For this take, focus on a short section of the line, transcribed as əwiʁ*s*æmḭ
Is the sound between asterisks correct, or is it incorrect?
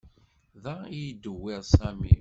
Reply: correct